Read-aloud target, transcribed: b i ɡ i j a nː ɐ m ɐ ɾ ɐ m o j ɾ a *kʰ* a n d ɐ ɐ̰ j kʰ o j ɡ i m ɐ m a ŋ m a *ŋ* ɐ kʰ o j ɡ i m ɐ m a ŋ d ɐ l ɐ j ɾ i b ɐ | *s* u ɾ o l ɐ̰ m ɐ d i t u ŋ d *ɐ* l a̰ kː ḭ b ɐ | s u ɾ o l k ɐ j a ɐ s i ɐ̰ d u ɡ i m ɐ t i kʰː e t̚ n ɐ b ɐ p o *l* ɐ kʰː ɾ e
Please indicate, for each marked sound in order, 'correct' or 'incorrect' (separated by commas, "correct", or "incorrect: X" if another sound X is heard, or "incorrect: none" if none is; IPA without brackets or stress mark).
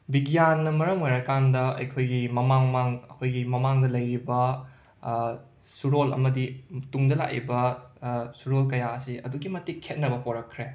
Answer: incorrect: k, correct, correct, correct, incorrect: ɾ